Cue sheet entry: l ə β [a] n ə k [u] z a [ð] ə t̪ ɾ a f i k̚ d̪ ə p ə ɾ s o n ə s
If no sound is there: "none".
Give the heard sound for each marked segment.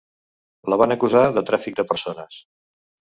a, u, ð

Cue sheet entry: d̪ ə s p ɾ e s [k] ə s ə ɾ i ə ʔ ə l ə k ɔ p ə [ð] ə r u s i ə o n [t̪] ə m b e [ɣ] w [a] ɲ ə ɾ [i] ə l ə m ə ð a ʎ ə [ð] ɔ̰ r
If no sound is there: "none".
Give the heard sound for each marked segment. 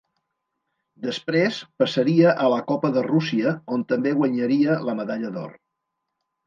p, ð, t̪, ɣ, ə, i, ð

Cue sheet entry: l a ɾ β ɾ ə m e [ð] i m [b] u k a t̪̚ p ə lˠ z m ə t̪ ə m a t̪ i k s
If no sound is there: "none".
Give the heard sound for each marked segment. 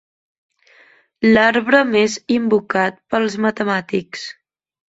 z, b

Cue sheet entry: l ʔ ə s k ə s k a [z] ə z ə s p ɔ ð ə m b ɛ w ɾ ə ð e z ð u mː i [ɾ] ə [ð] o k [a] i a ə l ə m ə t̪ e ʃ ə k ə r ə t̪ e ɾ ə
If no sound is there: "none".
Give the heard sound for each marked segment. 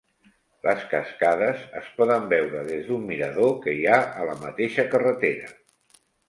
ð, ɾ, ð, ə

